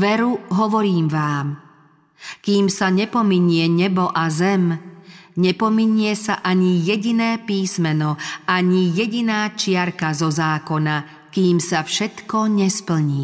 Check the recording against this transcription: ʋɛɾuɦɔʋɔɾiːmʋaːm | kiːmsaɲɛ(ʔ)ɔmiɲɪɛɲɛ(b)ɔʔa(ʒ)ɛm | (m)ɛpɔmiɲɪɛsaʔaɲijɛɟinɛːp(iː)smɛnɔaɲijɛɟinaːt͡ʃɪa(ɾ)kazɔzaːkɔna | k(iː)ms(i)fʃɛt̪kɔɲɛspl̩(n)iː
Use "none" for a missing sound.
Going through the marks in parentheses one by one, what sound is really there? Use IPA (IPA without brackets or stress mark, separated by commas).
p, b, z, ɲ, iː, ɾ, iː, a, ɲ